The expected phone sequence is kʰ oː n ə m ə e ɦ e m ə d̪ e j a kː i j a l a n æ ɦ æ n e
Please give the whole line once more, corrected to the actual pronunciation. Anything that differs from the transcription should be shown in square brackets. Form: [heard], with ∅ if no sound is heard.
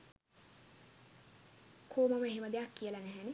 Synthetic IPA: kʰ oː [m] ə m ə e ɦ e m ə d̪ e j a kː i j [ə] l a n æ ɦ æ n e